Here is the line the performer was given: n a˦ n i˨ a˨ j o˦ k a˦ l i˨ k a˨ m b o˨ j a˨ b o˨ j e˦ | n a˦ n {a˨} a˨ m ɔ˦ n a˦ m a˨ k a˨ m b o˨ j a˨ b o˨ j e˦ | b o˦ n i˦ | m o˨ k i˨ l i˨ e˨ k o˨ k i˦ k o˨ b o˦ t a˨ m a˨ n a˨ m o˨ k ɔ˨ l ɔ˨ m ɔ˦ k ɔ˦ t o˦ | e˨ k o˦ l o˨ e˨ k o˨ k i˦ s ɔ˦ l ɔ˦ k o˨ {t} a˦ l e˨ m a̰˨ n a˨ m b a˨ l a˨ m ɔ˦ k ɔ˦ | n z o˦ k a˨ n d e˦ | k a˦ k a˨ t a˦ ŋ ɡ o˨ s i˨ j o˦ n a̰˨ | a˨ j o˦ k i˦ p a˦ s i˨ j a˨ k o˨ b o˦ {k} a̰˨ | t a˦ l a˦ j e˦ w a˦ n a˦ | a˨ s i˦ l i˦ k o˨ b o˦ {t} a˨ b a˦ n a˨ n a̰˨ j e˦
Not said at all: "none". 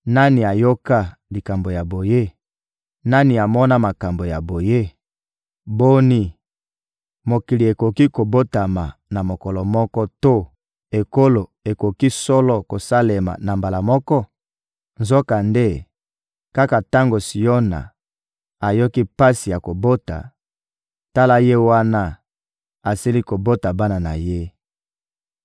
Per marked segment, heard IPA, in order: i˨, s, t, t

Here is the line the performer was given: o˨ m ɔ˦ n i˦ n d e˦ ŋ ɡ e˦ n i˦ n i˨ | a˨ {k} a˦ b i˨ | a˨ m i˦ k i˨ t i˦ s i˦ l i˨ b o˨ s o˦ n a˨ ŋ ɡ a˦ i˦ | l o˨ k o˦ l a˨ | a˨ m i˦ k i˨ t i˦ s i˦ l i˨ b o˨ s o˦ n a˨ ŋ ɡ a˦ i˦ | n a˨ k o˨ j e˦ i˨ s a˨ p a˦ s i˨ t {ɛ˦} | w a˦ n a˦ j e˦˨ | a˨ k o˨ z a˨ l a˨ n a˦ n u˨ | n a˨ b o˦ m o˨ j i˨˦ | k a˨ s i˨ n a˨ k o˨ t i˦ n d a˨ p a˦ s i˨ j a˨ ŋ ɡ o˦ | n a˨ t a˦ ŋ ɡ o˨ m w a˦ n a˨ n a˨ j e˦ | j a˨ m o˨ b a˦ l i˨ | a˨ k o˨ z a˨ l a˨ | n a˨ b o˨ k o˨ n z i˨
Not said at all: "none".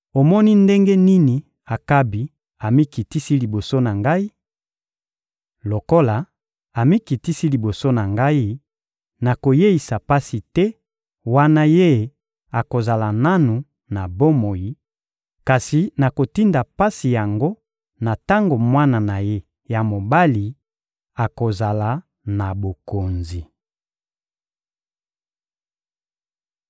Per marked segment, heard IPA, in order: k, ɛ˦

